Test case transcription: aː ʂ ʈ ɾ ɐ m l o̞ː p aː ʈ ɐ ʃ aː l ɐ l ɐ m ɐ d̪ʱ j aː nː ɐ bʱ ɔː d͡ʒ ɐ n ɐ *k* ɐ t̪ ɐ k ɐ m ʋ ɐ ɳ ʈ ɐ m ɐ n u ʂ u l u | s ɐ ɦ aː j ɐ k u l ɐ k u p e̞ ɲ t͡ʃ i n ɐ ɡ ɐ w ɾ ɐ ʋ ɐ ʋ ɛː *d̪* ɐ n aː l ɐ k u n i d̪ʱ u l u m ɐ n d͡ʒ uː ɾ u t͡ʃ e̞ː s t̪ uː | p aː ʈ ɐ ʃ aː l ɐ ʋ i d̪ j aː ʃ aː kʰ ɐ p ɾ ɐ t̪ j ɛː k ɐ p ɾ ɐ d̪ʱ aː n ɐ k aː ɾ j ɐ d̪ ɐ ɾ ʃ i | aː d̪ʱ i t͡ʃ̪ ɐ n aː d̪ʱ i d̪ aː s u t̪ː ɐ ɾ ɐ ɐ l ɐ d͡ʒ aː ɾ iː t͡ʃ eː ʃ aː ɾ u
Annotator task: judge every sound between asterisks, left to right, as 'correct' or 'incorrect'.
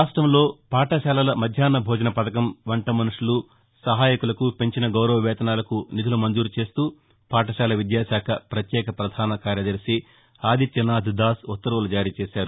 incorrect, incorrect

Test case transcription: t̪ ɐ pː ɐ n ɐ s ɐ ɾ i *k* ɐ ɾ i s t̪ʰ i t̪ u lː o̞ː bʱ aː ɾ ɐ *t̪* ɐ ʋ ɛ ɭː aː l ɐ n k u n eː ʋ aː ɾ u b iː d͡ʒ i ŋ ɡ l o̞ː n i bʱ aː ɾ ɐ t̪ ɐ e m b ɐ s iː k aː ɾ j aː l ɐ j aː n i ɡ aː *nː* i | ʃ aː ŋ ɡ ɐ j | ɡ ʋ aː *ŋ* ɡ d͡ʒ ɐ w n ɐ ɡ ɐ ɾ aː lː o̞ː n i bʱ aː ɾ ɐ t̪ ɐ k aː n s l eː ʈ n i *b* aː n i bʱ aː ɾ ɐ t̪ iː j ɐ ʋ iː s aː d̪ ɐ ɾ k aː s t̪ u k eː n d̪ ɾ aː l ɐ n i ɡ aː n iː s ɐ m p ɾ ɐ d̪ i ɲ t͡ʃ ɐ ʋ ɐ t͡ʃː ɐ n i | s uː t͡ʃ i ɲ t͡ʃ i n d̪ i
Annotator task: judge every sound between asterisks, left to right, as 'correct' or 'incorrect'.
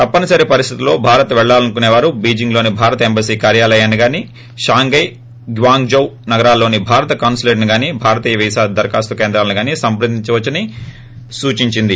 incorrect, correct, incorrect, correct, incorrect

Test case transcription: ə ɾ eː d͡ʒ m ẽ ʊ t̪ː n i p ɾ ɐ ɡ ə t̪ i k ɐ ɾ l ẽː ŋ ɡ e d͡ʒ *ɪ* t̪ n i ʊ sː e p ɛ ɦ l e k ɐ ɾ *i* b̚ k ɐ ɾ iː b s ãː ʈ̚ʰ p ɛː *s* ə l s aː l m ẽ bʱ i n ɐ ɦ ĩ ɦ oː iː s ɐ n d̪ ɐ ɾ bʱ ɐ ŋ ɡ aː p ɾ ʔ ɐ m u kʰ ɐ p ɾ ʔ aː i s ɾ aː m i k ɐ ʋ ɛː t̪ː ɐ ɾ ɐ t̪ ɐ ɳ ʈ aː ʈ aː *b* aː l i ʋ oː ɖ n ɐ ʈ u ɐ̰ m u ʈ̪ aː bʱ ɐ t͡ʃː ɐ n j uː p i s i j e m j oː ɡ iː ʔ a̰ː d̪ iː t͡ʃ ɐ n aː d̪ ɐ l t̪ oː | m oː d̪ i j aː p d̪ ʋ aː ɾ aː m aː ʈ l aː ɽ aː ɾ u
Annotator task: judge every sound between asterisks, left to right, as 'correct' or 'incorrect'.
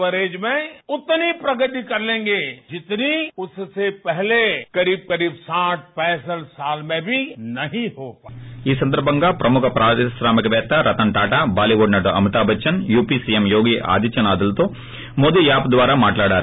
correct, incorrect, correct, correct

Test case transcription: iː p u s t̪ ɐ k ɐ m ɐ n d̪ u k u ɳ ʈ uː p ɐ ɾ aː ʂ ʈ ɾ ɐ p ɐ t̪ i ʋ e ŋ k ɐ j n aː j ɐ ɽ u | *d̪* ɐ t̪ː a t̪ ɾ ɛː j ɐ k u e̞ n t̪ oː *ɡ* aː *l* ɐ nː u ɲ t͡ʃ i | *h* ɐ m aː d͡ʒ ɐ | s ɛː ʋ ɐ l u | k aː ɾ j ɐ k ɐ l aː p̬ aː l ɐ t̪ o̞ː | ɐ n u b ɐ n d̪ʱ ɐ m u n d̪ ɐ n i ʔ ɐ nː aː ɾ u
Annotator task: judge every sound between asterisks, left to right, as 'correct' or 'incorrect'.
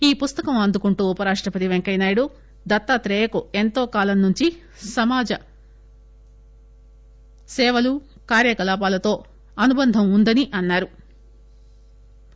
correct, incorrect, correct, incorrect

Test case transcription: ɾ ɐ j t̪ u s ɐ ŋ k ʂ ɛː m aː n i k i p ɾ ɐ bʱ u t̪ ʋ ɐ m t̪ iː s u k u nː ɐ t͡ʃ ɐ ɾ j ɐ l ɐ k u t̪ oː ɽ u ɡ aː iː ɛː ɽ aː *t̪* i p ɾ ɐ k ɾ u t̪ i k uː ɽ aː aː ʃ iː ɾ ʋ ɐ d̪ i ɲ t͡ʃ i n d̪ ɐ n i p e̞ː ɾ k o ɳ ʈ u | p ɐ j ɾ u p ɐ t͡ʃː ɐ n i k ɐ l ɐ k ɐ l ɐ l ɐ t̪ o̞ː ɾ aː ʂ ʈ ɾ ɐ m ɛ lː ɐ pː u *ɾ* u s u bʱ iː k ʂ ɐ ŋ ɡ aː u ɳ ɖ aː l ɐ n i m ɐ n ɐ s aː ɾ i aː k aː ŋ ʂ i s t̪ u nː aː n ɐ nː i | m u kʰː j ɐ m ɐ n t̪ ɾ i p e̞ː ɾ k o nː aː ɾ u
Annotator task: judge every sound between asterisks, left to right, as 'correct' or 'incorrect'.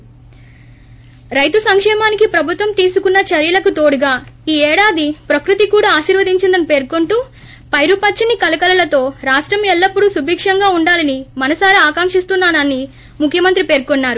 incorrect, incorrect

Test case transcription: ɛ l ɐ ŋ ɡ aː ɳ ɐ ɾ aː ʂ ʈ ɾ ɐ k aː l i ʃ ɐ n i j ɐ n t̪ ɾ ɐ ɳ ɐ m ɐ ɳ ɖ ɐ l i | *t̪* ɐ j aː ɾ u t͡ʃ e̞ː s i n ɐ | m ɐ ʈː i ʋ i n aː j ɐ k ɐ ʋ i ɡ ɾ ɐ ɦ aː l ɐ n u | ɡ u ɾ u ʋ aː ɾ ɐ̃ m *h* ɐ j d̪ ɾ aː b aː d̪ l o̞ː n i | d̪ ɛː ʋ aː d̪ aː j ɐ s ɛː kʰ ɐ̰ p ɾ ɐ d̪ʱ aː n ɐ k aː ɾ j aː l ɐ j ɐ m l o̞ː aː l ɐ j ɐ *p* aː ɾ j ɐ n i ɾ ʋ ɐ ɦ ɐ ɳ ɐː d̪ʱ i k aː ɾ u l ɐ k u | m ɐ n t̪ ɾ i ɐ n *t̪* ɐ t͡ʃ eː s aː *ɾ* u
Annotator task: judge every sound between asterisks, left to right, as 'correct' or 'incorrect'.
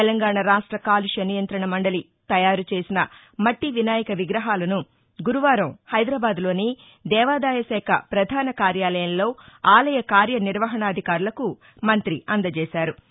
correct, correct, incorrect, incorrect, correct

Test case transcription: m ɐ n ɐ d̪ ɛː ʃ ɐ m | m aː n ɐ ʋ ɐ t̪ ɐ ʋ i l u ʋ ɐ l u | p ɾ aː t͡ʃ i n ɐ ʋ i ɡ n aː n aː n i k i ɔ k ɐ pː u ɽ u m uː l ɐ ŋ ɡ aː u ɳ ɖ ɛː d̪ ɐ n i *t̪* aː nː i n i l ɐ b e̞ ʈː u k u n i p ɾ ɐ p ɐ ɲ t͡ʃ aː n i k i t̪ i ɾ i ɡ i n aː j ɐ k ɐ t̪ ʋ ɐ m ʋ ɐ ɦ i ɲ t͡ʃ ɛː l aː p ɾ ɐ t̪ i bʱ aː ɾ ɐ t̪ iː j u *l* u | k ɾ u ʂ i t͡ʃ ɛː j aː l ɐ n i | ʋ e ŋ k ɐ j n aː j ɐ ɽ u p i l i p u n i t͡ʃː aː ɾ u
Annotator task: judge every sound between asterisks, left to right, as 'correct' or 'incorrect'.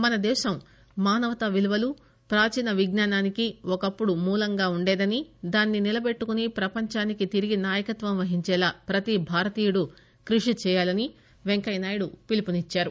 incorrect, incorrect

